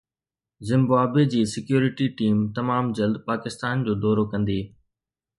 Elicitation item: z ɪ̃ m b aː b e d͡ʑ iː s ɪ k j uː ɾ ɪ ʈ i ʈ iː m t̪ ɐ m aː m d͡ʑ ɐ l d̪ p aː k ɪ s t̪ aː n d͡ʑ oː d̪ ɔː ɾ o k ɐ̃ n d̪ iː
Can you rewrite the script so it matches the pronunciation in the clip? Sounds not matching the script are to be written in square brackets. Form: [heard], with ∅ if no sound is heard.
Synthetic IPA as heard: z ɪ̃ m b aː b e d͡ʑ iː s ɪ k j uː ɾ ɪ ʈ i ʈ iː m t̪ ɐ m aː m d͡ʑ ɐ l d̪ p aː k ɪ s t̪ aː n d͡ʑ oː d̪ ɔː ɾ o k ɐ̃ n d̪ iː